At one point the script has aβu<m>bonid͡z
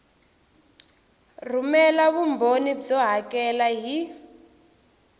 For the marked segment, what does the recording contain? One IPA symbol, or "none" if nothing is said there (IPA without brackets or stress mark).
m